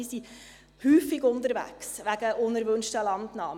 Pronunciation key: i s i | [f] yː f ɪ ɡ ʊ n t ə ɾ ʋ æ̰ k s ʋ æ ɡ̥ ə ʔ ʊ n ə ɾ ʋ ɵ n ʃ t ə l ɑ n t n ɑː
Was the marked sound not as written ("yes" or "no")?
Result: yes